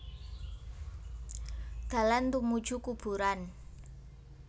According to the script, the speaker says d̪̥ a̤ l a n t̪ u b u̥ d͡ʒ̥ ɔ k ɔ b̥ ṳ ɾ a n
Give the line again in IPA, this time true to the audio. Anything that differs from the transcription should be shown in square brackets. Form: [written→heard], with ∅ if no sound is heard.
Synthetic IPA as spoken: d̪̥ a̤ l a n t̪ u [b→m] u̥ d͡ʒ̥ [ɔ→u] k [ɔ→u] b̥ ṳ ɾ a n